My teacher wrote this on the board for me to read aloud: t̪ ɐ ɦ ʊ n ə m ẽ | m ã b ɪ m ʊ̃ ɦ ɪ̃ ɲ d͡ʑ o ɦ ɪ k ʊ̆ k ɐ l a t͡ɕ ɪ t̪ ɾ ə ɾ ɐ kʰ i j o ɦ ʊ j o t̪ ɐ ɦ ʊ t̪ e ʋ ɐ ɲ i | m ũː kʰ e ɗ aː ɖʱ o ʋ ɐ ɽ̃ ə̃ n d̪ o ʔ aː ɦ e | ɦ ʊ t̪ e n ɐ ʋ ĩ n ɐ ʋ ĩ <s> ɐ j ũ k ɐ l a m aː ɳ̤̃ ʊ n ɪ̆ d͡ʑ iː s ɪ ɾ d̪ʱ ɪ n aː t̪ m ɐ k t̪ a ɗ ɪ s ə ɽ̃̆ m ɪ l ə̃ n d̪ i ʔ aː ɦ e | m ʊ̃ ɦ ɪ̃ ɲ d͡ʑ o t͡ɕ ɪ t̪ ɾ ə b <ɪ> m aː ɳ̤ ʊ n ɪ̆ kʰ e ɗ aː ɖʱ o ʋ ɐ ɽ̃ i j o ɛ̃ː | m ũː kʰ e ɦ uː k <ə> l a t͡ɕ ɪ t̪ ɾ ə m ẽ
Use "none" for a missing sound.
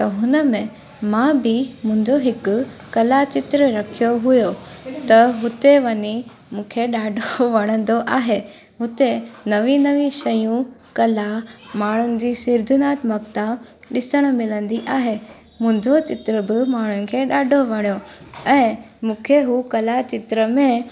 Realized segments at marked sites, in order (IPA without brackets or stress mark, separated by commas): ʃ, ɪ, ɐ